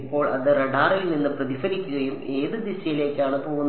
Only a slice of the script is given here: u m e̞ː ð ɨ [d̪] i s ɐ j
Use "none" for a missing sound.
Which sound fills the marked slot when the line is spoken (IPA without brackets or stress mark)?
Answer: d̪